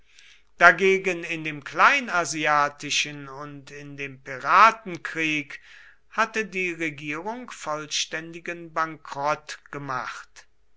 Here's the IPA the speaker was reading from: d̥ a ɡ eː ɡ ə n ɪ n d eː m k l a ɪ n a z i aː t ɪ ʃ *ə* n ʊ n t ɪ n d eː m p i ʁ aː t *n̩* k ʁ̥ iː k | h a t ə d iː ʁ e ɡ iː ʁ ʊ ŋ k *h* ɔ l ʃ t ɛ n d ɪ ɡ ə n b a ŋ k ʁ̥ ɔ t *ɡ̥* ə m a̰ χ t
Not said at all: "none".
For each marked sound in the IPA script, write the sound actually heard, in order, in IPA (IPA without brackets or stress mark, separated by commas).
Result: ə, n̩, f, ɡ̥